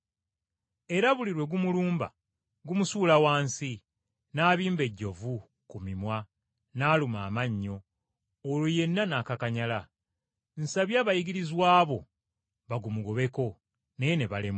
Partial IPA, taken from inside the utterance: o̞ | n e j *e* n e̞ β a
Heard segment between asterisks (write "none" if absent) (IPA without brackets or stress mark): e